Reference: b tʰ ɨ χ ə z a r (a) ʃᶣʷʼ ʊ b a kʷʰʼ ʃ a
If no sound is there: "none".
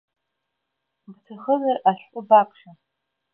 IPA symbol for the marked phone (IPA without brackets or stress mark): a